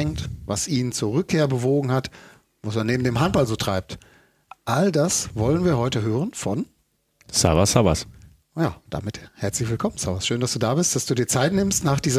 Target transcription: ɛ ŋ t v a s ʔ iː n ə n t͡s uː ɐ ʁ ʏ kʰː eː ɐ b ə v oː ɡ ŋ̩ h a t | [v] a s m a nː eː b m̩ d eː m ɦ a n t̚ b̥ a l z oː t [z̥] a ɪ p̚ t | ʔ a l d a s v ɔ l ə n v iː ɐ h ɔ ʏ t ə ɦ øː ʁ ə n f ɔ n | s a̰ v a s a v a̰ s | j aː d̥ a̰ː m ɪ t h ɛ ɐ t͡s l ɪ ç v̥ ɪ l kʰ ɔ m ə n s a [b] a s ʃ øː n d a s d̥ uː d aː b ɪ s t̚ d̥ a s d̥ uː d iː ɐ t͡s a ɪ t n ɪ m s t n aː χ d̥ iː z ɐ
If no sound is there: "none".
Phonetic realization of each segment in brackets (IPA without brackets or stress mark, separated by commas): v, ʁ̥, v